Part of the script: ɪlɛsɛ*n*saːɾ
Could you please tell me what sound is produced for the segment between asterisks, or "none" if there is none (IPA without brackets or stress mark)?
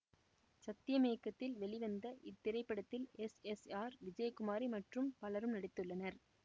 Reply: none